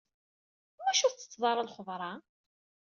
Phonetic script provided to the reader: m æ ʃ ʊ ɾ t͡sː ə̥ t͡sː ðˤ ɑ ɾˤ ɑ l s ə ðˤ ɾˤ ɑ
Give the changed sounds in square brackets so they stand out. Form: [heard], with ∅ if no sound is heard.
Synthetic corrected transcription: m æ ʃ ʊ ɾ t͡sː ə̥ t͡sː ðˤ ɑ ɾˤ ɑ l [χ] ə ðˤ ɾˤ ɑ